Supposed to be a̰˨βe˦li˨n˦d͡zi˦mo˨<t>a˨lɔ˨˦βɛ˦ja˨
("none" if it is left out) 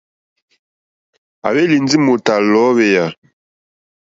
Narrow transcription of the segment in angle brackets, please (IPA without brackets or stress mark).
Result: t